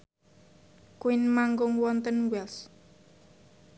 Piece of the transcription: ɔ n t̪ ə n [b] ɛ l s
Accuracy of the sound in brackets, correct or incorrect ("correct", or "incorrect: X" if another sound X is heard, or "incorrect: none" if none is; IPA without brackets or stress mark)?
incorrect: w